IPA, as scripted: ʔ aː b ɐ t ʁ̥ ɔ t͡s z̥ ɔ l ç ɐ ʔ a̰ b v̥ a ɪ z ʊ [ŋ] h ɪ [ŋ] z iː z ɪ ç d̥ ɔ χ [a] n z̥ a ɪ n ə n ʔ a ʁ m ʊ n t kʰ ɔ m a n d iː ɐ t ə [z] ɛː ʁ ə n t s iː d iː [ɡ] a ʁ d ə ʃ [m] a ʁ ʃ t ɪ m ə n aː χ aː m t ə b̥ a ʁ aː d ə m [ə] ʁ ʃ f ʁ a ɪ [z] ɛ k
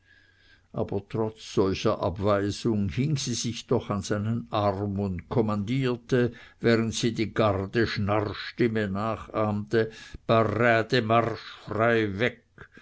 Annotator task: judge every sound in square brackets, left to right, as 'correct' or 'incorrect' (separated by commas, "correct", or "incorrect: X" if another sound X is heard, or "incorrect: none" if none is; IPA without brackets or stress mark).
correct, correct, correct, incorrect: v, correct, incorrect: n, incorrect: a, incorrect: v